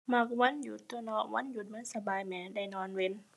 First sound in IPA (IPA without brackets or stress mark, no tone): m